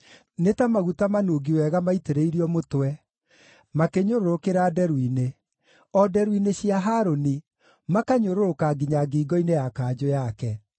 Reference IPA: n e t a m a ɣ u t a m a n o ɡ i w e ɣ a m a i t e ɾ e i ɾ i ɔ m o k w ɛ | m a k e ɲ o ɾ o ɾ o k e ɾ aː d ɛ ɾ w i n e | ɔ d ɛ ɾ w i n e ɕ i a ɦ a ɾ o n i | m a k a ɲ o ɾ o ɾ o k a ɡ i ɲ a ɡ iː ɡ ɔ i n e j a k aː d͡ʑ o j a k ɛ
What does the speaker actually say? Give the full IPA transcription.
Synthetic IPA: n e t a m a ɣ u t a m a n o ɡ i w ɛ ɣ a m a i t e ɾ e i ɾ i ɔ m o t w ɛ | m a k e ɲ o ɾ o ɾ o k e ɾ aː d ɛ ɾ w i n e | ɔ d ɛ ɾ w i n e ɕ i a ɦ a ɾ o n i | m a k a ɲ o ɾ o ɾ o k a ɡ i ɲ a ɡ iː ɡ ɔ i n e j a k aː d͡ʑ o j a k ɛ